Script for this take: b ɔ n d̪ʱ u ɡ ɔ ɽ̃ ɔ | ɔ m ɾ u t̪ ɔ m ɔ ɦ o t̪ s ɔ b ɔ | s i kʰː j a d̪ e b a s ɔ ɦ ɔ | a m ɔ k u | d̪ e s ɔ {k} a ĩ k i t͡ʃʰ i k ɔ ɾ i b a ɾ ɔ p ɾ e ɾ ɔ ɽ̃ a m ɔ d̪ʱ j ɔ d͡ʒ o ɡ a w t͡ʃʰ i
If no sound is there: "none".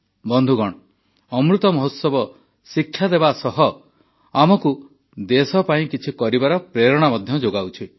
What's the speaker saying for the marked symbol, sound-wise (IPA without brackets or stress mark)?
p